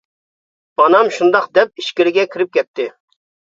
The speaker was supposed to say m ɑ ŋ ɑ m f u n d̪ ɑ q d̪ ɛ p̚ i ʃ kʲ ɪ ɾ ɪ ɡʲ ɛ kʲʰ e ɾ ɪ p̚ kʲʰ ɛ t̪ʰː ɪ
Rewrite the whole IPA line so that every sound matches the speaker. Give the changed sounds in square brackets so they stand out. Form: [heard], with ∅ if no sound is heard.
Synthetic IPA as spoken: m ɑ [n] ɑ m [ʃ] u n d̪ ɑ q d̪ ɛ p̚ i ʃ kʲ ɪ ɾ ɪ ɡʲ ɛ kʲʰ [i] ɾ ɪ p̚ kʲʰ ɛ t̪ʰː ɪ

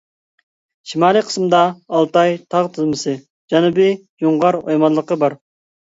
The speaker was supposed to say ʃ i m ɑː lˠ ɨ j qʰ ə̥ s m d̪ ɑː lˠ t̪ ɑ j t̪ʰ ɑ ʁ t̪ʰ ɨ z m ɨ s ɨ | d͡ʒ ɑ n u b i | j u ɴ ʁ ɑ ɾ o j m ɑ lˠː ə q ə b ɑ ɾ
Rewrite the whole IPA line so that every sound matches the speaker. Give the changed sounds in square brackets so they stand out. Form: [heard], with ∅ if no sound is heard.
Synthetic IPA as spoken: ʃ i m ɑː lˠ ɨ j qʰ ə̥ s m d̪ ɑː lˠ t̪ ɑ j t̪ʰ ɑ ʁ t̪ʰ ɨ z m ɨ s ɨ | d͡ʒ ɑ n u b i | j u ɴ ʁ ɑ ɾ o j m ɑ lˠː ə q ə b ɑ ɾ

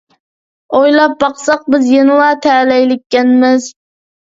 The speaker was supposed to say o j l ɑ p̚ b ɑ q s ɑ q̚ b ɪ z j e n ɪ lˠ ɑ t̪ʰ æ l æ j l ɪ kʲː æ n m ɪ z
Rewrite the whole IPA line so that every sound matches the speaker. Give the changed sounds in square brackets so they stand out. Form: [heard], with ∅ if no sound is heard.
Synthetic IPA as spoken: o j l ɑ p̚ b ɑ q s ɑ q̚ b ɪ z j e n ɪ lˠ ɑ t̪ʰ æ l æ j l ɪ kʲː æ n m ɪ z

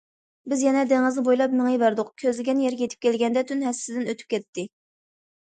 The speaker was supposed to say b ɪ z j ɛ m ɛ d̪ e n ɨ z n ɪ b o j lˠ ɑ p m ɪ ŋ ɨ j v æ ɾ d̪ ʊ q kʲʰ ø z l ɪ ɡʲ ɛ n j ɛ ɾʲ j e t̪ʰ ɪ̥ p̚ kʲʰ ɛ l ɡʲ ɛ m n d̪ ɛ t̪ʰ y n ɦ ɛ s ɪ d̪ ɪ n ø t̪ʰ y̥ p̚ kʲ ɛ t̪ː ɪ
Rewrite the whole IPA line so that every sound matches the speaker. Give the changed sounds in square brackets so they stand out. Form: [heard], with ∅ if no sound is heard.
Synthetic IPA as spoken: b ɪ z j ɛ [n] ɛ d̪ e [ŋ] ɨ z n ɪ b o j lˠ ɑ p m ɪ ŋ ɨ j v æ ɾ d̪ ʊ q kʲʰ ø z l ɪ ɡʲ ɛ n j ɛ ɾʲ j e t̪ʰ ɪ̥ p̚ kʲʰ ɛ l ɡʲ ɛ [∅] n d̪ ɛ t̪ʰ y n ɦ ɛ s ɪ d̪ ɪ n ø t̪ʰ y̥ p̚ kʲ ɛ t̪ː ɪ

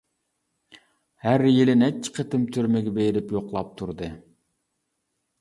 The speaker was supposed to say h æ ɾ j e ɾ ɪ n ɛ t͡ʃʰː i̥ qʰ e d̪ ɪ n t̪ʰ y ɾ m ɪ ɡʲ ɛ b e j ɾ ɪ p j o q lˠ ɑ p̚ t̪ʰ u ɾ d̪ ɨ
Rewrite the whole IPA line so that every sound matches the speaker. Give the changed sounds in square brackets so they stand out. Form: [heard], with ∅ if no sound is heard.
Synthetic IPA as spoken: h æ ɾ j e [l] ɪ n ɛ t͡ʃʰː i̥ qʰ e [t̪] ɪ [m] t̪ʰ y ɾ m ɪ ɡʲ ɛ b e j ɾ ɪ p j o q lˠ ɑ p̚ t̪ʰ u ɾ d̪ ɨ

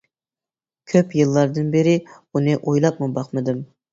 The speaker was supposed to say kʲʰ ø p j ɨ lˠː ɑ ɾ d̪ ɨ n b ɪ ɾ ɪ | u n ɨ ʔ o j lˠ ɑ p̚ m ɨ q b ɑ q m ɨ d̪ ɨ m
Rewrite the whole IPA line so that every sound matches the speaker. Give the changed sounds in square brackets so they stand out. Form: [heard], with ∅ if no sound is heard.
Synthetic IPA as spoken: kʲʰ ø p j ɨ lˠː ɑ ɾ d̪ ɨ n b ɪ ɾ ɪ | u n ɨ ʔ o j lˠ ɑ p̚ m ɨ [∅] b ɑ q m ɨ d̪ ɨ m

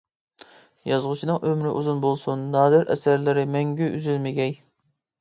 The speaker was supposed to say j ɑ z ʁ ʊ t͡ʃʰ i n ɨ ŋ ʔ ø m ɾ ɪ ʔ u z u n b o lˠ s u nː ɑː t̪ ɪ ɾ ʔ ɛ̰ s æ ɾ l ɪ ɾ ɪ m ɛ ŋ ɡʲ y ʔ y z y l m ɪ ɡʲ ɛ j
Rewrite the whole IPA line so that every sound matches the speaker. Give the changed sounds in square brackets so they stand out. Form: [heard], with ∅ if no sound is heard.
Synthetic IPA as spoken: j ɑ z ʁ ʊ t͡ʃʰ i n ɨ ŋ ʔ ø m ɾ ɪ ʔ u z u n b o lˠ s u nː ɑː [d̪] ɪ ɾ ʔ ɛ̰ s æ ɾ l ɪ ɾ ɪ m ɛ ŋ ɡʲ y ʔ y z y l m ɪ ɡʲ ɛ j

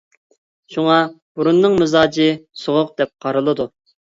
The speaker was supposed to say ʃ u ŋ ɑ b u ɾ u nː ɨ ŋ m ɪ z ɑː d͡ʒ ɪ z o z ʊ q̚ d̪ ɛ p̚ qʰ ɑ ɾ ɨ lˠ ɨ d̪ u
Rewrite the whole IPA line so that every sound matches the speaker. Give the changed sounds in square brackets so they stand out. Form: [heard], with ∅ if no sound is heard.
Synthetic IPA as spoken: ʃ u ŋ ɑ b u ɾ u nː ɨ ŋ m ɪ z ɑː d͡ʒ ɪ [s] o [ʁ] ʊ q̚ d̪ ɛ p̚ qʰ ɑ ɾ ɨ lˠ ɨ d̪ u

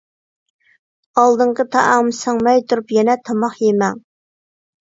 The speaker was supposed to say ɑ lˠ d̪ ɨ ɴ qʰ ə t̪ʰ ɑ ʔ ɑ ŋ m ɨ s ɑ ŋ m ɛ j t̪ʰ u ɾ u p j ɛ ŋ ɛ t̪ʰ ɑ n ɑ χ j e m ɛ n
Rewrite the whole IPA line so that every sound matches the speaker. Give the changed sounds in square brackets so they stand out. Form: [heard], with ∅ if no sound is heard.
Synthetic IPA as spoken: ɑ lˠ d̪ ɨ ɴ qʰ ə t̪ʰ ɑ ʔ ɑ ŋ m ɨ s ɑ ŋ m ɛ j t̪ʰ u ɾ u p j ɛ [n] ɛ t̪ʰ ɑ [m] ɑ χ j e m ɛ [ŋ]

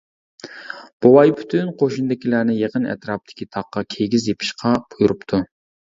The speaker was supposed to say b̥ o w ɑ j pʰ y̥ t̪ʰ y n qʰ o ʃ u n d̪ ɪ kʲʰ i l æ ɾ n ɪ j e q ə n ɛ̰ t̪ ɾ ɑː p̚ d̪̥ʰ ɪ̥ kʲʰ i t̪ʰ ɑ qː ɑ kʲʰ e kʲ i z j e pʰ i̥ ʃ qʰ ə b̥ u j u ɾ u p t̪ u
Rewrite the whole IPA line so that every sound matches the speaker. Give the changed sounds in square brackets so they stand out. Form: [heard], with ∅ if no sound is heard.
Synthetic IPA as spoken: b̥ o w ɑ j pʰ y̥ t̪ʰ y n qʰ o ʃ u n d̪ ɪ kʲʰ i l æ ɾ n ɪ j e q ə n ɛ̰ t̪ ɾ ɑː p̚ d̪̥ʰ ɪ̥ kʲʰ i t̪ʰ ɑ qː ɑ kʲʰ e [ɡʲ] i z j e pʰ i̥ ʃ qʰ [ɑ] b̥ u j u ɾ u p [t̪ʰ] u

